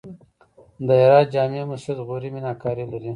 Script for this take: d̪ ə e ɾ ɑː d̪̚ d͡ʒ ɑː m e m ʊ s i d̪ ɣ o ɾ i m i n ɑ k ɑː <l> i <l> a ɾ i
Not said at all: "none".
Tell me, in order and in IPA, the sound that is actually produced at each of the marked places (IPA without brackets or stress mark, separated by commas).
ɾ, l